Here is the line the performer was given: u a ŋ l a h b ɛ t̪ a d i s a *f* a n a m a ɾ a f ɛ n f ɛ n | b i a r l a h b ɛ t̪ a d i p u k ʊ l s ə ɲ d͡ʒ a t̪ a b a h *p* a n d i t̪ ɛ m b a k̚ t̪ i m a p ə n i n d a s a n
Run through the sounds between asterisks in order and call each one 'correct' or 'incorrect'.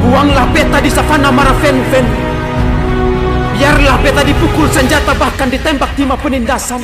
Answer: correct, incorrect: k

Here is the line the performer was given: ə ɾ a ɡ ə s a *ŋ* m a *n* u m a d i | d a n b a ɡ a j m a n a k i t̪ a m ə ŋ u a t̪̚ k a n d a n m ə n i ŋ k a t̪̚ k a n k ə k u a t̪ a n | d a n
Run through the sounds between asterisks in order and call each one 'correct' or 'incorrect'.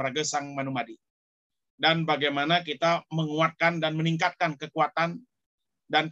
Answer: correct, correct

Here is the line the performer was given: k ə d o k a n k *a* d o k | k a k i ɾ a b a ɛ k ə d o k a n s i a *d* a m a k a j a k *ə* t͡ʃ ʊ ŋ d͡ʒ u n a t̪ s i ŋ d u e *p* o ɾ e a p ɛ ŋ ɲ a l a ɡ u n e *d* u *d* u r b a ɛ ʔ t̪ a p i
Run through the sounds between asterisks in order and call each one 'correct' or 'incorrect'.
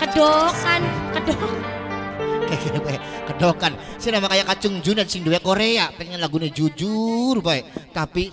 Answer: incorrect: ə, incorrect: n, incorrect: a, incorrect: k, incorrect: d͡ʒ, incorrect: d͡ʒ

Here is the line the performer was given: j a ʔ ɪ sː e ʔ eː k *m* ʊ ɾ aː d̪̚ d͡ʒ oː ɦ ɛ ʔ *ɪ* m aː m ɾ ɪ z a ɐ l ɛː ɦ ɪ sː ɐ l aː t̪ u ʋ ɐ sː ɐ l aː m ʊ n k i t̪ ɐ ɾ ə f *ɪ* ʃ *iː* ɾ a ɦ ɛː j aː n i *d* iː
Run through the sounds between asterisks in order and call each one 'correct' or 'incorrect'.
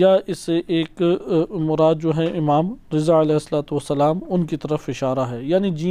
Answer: correct, correct, correct, incorrect: aː, incorrect: d͡ʒ

